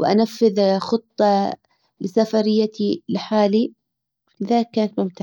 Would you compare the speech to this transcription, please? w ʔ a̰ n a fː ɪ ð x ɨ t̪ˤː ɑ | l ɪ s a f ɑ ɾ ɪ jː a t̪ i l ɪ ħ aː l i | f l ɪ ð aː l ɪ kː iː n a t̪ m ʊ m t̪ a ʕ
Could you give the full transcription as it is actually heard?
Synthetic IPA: w ʔ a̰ n a fː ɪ ð x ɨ t̪ˤː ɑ | l ɪ s a f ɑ ɾ ɪ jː a t̪ i l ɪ ħ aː l i | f l ɪ ð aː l ɪ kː aː n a t̪ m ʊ m t̪ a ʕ

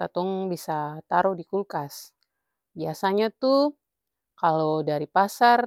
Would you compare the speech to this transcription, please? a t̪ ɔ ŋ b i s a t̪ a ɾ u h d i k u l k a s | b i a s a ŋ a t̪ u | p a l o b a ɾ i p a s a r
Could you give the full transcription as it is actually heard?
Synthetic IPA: a t̪ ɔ ŋ b i s a t̪ a ɾ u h d i k u l k a s | b i a s a ɲ a t̪ u | k a l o d a ɾ i p a s a r

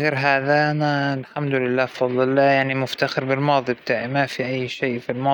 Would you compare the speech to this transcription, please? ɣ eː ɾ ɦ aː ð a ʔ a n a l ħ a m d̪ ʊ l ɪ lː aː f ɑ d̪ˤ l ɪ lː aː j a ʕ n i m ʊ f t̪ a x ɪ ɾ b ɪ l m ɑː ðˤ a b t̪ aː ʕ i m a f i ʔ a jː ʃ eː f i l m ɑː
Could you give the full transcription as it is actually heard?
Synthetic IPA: ɣ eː ɾ ɦ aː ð a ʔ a n a l ħ a m d̪ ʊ l ɪ lː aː f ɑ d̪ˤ l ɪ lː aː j a ʕ n i m ʊ f t̪ a x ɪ ɾ b ɪ l m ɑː ðˤ i b t̪ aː ʕ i m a f i ʔ a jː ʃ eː f i l m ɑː

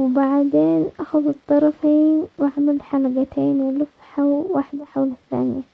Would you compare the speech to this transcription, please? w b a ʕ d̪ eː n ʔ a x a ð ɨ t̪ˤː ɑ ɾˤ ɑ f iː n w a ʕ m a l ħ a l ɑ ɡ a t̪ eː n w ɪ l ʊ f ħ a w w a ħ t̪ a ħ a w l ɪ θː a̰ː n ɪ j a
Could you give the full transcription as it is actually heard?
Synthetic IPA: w b a ʕ d̪ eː n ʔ a x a ð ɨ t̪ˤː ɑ ɾˤ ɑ f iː n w a ʕ m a l ħ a l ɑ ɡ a t̪ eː n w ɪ l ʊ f ħ a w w a ħ d̪ a ħ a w l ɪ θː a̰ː n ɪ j a

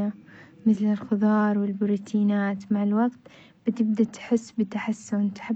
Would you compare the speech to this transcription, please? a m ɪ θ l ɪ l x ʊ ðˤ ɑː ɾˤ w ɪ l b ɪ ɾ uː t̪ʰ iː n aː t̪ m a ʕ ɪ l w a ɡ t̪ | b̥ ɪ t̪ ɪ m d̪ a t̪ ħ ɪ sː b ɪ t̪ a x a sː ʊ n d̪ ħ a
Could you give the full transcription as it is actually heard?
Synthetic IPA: a m ɪ θ l ɪ l x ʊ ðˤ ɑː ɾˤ w ɪ l b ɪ ɾ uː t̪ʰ iː n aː t̪ m a ʕ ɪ l w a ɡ t̪ | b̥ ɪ t̪ ɪ b d̪ a t̪ ħ ɪ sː b ɪ t̪ a ħ a sː ʊ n t̪ ħ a

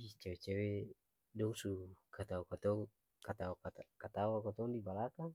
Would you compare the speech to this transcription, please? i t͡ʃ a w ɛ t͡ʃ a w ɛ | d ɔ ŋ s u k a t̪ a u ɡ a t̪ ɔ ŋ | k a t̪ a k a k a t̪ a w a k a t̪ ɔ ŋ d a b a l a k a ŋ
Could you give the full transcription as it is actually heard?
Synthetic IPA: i t͡ʃ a w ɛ t͡ʃ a w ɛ | d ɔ ŋ s u k a t̪ a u k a t̪ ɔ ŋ | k a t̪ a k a k a t̪ a w a k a t̪ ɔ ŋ d i b a l a k a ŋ

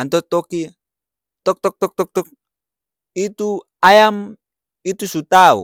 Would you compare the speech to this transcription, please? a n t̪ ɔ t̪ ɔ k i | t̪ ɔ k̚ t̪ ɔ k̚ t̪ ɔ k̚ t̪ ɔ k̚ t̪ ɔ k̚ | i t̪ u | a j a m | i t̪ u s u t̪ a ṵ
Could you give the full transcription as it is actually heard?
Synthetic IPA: a n t̪ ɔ t̪ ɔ k i | t̪ ɔ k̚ t̪ ɔ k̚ t̪ ɔ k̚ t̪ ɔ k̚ t̪ ɔ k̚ | i t̪ u | a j a m | i t̪ u s u t̪ a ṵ

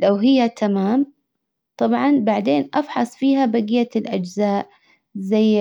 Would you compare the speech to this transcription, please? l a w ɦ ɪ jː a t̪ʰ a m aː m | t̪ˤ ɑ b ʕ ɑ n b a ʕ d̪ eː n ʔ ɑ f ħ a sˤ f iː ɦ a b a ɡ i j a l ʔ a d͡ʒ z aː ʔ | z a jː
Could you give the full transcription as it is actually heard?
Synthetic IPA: l a w ɦ ɪ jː a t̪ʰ a m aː m | t̪ˤ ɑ b ʕ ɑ n b a ʕ d̪ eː n ʔ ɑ f ħ ɑ sˤ f iː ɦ a b a ɡ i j a l ʔ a d͡ʒ z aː ʔ | z a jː

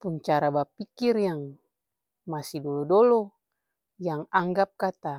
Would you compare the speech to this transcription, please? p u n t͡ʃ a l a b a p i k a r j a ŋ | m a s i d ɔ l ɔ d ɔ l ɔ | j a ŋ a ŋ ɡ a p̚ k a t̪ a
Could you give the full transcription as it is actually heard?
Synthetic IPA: p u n t͡ʃ a ɾ a b a p i k i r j a ŋ | m a s i d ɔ l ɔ d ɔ l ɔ | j a ŋ a ŋ ɡ a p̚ k a t̪ a

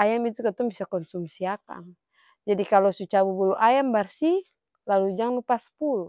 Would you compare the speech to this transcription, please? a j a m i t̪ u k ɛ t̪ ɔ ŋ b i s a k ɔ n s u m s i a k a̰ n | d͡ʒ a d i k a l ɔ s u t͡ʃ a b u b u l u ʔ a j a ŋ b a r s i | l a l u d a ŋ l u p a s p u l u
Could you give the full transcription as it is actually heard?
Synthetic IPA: a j a m i t̪ u k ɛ t̪ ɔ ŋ b i s a k ɔ n s u m s i a k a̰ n | d͡ʒ a d i k a l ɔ s u t͡ʃ a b u b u l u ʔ a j a m b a r s i | l a l u d͡ʒ a ŋ l u p a s p u l u

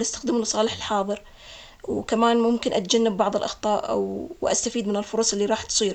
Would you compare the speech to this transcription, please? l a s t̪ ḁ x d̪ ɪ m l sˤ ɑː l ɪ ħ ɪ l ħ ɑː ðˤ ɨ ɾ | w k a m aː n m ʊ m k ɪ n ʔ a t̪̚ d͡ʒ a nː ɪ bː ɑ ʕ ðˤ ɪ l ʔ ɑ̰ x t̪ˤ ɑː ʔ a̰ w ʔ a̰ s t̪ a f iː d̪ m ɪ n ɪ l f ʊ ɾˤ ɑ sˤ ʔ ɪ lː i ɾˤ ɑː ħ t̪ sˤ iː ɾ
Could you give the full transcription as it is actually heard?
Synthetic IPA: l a s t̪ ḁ x d̪ ɪ m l sˤ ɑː l ɪ ħ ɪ l ħ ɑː ðˤ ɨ ɾ | w k a m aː n m ʊ m k ɪ n ʔ a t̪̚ d͡ʒ a nː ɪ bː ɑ ʕ ðˤ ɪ l ʔ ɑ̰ x t̪ˤ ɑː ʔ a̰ w ʔ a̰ s t̪ a f iː d̪ m ɪ n ɪ l f ʊ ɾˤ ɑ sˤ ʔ ɪ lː i ɾˤ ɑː ħ t̪ sˤ iː ɾ

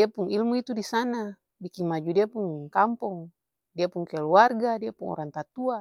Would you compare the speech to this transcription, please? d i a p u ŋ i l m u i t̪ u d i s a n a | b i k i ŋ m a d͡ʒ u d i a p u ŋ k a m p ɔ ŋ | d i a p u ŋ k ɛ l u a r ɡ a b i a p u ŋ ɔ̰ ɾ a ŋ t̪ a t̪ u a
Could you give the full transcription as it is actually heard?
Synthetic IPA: d i a p u ŋ i l m u i t̪ u d i s a n a | b i k i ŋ m a d͡ʒ u d i a p u ŋ k a m p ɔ ŋ | d i a p u ŋ k ɛ l u a r ɡ a d i a p u ŋ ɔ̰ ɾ a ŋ t̪ a t̪ u a

